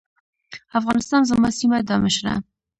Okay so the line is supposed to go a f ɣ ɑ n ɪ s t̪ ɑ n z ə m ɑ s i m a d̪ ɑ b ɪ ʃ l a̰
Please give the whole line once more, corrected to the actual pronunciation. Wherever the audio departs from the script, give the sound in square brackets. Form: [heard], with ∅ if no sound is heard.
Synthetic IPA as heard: a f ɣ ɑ n ɪ s t̪ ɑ n z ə m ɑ s i m a d̪ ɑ [m] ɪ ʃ [ɾ] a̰